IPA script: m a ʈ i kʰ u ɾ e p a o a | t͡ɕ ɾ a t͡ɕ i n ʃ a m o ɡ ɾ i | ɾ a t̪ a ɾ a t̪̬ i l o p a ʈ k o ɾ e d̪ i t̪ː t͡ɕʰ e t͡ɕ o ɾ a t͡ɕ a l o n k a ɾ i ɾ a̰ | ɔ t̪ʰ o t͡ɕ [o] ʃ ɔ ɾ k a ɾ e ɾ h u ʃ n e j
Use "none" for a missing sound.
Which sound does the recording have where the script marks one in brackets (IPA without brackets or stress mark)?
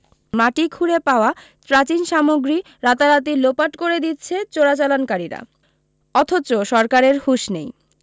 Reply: o